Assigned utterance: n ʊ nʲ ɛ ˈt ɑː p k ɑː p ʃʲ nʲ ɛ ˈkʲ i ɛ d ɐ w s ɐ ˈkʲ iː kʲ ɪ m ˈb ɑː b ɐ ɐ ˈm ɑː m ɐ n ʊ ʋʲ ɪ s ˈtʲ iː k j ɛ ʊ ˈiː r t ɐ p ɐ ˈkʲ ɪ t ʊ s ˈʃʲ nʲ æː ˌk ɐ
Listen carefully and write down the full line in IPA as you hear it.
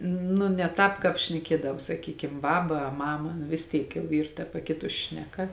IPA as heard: n ʊ nʲ ɛ ˈt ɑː p k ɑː p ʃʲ nʲ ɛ ˈkʲ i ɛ d ɐ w s ɐ ˈkʲ iː kʲ ɪ m ˈb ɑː b ɐ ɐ ˈm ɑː m ɐ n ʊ ʋʲ ɪ s ˈtʲ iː k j ɛ ʊ ˈiː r t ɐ p ɐ ˈkʲ ɪ t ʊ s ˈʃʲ nʲ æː ˌk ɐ

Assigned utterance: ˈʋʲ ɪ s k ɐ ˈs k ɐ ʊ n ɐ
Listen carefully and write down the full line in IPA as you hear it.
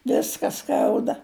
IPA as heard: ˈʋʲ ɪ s k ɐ ˈs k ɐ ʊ d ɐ

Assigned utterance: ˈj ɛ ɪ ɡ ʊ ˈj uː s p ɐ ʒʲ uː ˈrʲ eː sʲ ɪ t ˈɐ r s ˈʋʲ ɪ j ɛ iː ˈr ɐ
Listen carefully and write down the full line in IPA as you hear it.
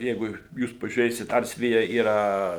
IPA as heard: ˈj ɛ ɪ ɡ ʊ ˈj uː s p ɐ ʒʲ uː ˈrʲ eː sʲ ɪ t ˈɐ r s ˈʋʲ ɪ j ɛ iː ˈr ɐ

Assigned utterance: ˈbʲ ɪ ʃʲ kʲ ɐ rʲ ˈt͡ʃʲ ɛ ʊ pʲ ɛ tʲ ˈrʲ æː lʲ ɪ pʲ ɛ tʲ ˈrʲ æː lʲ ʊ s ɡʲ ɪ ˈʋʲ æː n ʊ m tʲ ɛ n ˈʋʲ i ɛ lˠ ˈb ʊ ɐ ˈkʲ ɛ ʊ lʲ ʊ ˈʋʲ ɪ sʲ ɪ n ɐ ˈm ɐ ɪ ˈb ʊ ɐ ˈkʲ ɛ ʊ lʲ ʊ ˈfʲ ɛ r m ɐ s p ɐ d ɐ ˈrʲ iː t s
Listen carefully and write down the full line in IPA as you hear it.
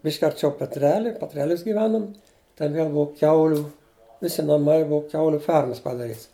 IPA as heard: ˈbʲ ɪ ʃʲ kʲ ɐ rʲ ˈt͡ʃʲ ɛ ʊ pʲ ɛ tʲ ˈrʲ æː lʲ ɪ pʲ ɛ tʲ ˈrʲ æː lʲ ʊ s ɡʲ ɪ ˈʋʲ æː n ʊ m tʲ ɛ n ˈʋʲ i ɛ lˠ ˈb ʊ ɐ ˈkʲ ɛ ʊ lʲ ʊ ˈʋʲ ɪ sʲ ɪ n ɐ ˈm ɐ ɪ ˈb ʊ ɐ ˈkʲ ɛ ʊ lʲ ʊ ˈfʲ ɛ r m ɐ s p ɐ d ɐ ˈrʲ iː t s

